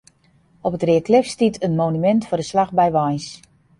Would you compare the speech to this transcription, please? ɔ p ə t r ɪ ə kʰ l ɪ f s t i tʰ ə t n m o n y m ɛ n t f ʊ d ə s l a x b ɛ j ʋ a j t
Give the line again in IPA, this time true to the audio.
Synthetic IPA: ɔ p ə t r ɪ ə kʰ l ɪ f s t i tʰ ə n m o n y m ɛ n t f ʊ d ə s l a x b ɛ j ʋ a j s